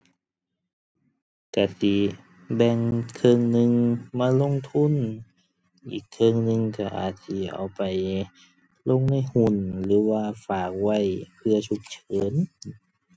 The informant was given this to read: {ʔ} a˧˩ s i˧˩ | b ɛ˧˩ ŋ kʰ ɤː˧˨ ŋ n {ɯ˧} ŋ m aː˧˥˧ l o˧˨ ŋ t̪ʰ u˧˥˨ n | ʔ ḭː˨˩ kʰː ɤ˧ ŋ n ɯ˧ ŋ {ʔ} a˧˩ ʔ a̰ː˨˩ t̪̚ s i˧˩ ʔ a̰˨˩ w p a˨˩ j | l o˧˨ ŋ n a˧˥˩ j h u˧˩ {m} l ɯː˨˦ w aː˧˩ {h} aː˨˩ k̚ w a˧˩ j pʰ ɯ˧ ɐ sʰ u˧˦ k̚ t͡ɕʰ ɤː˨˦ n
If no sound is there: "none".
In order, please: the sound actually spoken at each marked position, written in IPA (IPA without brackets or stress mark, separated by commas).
k, ɯ˧, k, n, f